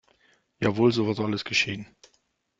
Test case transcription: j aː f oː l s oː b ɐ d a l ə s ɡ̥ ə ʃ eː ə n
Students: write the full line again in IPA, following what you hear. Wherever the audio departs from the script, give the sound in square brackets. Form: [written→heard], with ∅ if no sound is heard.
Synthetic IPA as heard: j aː [f→v] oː l [s→z] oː [b→v] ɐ [d→t] a l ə s ɡ̥ ə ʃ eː ə n